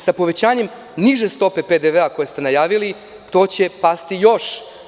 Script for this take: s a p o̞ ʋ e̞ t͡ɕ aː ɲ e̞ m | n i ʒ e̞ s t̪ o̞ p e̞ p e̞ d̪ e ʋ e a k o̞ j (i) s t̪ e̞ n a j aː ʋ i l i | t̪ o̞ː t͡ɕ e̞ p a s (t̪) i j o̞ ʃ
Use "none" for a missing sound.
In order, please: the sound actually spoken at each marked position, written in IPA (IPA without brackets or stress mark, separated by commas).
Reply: e, t̪